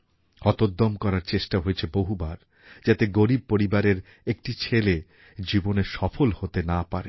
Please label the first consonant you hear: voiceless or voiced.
voiceless